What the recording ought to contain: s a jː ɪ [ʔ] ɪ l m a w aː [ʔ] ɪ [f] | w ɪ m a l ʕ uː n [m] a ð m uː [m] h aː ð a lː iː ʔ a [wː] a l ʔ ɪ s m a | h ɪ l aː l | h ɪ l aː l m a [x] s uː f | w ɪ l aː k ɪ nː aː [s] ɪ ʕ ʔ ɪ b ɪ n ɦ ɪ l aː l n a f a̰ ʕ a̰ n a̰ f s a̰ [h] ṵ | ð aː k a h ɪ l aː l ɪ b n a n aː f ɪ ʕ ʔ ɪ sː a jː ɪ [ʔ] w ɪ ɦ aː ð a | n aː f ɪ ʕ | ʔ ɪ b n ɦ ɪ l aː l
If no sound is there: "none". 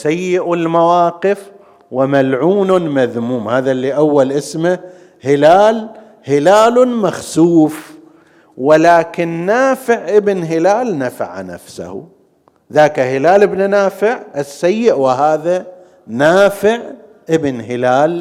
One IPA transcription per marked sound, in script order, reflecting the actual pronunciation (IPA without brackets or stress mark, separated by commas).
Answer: ʔ, q, f, m, m, wː, x, f, h, ʔ